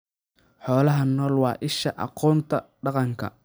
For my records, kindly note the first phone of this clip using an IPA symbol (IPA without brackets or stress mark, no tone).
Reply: ħ